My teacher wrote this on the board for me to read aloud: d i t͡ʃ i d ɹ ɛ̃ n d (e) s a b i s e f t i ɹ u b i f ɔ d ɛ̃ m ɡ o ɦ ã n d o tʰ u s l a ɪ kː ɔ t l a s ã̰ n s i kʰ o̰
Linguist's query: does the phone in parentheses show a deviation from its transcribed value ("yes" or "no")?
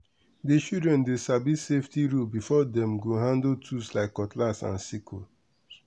no